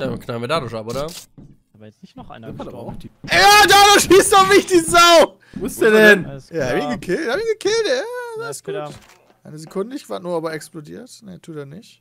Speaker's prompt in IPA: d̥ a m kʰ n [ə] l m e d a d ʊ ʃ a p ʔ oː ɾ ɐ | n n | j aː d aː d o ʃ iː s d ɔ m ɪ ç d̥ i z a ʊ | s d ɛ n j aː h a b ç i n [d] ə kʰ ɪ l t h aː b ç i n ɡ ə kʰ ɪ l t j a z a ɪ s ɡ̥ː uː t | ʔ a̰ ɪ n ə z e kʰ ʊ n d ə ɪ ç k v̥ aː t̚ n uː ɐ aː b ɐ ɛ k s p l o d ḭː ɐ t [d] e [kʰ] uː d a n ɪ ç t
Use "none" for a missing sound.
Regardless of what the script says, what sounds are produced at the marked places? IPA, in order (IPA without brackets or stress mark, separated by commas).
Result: a, ɡ, n, tʰ